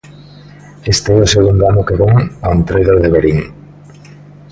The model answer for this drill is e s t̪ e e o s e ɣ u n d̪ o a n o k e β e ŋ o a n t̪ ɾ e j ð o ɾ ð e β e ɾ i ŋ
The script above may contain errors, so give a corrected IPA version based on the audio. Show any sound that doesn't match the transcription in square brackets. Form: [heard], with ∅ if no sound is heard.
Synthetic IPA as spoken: e s t̪ e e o s e ɣ u n d̪ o a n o k e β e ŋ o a n t̪ ɾ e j ð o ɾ ð e β e ɾ i ŋ